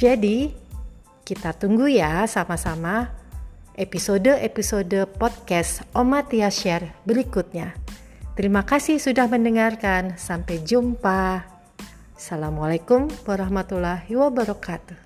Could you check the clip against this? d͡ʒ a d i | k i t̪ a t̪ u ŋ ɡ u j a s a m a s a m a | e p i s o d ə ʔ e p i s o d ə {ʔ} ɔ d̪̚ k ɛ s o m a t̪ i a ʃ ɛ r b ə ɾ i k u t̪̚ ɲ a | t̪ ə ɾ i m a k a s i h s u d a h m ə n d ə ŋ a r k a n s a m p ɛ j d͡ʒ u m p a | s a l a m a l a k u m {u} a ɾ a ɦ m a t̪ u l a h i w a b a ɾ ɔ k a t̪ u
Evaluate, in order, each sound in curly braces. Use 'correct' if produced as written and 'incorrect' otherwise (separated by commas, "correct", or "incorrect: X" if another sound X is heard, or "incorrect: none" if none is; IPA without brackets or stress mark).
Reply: incorrect: p, incorrect: w